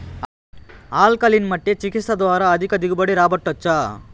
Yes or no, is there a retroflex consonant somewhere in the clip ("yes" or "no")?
yes